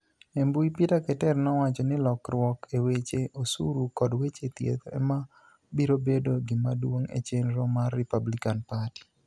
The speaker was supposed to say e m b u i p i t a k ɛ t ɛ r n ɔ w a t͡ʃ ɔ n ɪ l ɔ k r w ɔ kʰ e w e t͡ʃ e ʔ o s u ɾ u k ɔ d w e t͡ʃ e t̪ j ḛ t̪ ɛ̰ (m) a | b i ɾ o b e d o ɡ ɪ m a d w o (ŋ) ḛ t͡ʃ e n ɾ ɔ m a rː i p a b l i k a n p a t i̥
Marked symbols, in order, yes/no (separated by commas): yes, yes